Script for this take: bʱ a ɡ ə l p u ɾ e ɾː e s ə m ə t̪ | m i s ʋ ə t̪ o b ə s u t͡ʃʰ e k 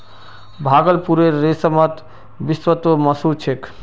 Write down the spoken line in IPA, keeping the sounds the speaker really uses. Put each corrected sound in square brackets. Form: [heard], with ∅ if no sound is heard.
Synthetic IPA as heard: bʱ a ɡ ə l p u ɾ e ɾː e s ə m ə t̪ | [b] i s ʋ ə t̪ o [m] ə s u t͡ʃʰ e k